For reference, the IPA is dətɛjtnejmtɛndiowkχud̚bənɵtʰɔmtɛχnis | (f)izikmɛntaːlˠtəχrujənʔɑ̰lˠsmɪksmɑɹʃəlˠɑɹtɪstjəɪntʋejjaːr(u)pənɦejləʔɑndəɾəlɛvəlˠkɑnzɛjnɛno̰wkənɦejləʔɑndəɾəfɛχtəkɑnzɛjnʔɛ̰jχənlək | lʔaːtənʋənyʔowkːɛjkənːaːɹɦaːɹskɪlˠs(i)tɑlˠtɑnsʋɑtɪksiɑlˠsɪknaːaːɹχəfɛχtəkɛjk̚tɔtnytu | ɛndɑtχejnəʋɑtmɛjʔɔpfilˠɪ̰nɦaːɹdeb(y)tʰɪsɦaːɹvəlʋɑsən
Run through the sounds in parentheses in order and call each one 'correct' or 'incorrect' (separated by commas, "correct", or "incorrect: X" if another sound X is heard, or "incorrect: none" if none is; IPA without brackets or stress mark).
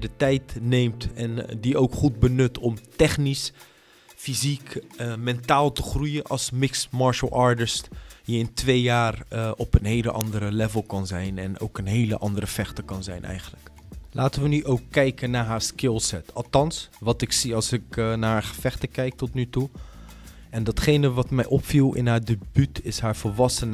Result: correct, incorrect: ɔ, incorrect: ɛ, correct